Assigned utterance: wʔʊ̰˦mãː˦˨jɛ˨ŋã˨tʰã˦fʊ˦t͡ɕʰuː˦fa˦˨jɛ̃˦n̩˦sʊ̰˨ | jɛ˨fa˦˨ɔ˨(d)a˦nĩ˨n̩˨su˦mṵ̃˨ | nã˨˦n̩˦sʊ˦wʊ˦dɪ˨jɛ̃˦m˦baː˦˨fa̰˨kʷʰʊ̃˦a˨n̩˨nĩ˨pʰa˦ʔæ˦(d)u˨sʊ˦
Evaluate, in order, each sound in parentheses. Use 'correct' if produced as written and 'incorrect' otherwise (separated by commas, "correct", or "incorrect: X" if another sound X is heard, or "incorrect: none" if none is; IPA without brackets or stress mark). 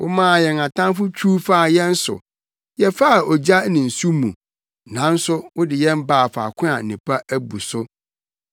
incorrect: d͡ʑ, incorrect: b